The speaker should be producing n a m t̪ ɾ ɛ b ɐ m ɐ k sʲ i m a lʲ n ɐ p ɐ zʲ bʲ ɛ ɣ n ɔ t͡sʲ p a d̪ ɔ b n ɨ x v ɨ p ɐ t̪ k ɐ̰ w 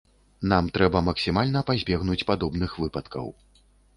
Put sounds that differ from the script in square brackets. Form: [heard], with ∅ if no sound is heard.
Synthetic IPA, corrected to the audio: n a m t̪ ɾ ɛ b ɐ m ɐ k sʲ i m a lʲ n ɐ p [a] zʲ bʲ ɛ ɣ n [u] t͡sʲ p a d̪ ɔ b n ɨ x v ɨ p ɐ t̪ k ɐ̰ w